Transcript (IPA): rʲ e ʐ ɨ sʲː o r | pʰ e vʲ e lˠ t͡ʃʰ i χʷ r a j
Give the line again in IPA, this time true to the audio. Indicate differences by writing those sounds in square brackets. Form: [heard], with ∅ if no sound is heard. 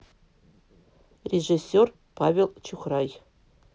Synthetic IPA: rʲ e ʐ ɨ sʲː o r | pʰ [a] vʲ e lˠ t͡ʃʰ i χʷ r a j